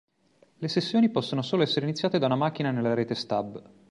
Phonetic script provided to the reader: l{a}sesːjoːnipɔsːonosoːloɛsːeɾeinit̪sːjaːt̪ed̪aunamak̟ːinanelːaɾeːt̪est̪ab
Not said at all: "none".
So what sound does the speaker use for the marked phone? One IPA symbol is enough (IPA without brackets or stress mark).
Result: e